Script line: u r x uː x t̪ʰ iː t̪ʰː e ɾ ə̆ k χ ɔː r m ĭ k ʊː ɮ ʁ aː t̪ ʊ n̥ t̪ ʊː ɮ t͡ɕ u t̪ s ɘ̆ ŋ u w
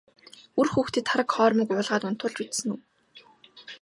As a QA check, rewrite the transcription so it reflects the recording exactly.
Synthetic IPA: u r x uː x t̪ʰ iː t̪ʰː a ɾ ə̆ k χ ɔː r m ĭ k ʊː ɮ ʁ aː t̪ ʊ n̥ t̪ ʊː ɮ t͡ɕ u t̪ s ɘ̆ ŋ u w